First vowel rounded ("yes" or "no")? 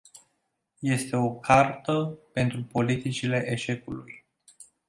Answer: no